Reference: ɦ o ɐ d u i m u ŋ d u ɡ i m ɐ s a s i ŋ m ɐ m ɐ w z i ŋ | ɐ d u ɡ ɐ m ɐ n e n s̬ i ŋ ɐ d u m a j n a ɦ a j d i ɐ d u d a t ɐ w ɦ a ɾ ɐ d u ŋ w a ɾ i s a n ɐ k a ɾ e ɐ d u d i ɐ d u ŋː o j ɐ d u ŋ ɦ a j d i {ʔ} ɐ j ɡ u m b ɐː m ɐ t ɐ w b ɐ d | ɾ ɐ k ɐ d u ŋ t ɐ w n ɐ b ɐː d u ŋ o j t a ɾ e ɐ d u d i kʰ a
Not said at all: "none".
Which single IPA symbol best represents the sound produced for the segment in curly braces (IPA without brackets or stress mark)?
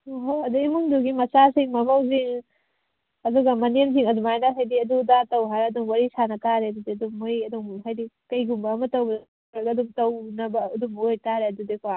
k